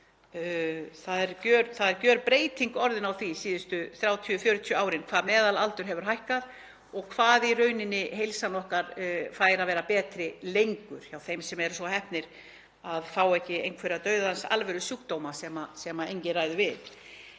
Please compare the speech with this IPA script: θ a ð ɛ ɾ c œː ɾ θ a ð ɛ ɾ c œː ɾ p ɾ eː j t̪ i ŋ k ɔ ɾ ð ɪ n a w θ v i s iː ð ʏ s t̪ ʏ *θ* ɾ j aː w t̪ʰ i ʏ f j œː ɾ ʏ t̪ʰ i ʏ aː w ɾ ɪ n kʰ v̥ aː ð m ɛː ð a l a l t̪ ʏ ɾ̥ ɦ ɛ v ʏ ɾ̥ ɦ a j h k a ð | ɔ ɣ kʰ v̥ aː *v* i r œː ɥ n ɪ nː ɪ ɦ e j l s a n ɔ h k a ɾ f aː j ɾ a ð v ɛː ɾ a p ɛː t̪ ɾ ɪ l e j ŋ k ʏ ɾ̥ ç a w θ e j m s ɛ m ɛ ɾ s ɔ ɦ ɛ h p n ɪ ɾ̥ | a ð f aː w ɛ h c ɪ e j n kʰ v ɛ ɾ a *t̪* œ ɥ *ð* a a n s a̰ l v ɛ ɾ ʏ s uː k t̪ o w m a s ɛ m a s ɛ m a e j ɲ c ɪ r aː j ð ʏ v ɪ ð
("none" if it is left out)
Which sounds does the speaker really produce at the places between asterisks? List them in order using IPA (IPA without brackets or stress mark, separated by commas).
θ, ð, t̪, ð